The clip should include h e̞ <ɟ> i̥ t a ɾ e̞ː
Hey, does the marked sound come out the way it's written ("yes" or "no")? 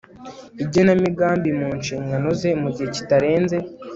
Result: no